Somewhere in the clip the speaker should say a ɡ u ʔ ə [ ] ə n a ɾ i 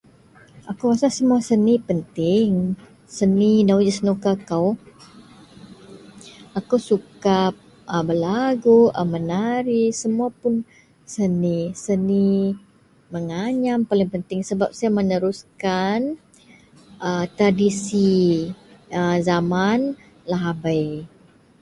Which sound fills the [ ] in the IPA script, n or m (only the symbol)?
m